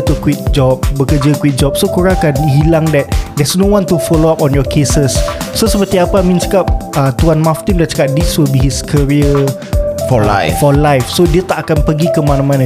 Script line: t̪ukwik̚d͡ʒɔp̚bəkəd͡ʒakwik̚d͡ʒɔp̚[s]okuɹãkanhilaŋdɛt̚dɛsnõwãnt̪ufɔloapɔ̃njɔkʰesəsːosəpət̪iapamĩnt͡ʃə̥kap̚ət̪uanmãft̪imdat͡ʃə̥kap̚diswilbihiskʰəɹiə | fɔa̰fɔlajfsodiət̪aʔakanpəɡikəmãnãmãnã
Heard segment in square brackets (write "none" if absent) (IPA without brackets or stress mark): s